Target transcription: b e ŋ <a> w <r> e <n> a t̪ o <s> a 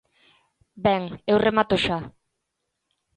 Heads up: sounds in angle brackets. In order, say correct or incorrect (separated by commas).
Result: incorrect, correct, incorrect, incorrect